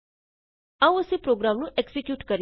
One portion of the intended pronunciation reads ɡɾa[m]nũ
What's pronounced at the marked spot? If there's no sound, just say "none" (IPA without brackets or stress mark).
m